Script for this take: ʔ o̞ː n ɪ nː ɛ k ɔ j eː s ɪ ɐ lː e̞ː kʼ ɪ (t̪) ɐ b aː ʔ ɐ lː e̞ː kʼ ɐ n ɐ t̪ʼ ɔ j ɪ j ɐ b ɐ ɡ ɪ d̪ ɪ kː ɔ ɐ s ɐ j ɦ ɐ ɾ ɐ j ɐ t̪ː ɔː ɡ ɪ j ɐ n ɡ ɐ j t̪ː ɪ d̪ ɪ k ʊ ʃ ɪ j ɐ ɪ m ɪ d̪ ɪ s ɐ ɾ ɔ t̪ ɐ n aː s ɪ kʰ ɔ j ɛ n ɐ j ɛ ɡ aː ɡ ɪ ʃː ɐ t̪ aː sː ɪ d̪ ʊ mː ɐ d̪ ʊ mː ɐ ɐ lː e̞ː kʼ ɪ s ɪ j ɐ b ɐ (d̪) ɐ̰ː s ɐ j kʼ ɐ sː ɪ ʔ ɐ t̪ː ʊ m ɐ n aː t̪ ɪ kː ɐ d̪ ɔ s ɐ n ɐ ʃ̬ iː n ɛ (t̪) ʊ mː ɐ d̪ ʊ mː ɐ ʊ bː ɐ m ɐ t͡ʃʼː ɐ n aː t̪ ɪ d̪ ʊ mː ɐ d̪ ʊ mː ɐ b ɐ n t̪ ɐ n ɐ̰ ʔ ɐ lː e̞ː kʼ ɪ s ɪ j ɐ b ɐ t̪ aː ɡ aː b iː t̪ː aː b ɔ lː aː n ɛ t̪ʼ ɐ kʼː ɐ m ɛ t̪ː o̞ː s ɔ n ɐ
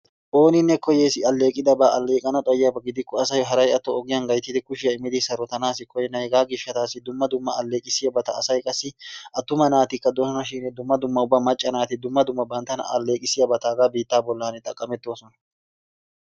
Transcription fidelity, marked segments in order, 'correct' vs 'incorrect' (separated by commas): incorrect, incorrect, incorrect